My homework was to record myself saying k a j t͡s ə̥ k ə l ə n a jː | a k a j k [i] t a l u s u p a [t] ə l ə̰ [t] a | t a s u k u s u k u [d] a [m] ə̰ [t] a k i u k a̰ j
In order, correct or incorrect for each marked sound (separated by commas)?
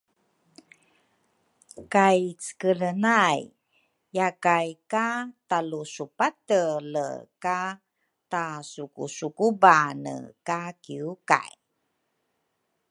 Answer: incorrect, correct, incorrect, incorrect, incorrect, incorrect